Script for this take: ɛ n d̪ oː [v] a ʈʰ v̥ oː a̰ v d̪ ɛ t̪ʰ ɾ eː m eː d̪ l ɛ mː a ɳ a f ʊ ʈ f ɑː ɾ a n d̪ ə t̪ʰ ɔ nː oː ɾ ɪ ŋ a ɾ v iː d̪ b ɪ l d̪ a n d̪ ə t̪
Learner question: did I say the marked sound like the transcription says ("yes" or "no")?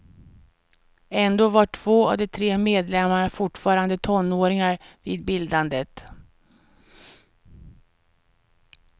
yes